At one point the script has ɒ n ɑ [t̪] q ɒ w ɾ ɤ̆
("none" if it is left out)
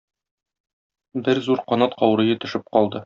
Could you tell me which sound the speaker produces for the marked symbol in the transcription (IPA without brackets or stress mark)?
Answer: t̪